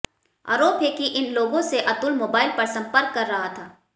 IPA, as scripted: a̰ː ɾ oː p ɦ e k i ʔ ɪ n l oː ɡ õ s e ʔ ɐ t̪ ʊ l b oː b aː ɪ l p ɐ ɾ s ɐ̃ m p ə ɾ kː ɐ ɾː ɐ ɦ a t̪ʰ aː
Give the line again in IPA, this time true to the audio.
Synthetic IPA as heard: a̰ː ɾ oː p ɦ e k i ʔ ɪ n l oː ɡ õ s e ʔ ɐ t̪ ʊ l m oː b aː ɪ l p ɐ ɾ s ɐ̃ m p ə ɾ kː ɐ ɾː ɐ ɦ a t̪ʰ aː